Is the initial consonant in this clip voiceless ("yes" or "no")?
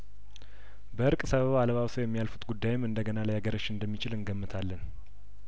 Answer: no